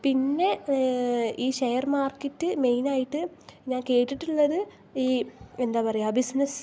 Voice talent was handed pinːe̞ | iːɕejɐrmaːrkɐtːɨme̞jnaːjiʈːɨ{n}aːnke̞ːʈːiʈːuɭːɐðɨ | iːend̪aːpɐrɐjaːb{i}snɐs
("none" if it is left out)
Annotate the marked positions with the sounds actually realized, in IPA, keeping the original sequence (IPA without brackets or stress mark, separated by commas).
ɲ, i